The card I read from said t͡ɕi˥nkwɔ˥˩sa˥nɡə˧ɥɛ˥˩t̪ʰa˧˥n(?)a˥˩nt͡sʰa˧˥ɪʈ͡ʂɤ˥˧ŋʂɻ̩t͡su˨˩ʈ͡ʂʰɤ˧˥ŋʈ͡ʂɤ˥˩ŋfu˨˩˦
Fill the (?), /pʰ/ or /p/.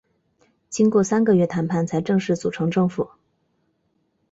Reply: pʰ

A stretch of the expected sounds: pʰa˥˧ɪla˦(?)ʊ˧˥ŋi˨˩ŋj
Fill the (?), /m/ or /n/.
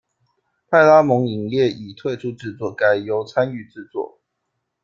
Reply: m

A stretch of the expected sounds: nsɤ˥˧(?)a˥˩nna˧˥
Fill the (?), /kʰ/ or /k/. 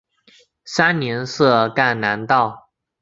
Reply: k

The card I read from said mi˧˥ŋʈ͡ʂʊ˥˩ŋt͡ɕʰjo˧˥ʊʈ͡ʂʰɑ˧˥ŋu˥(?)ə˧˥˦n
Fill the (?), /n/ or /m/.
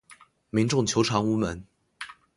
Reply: m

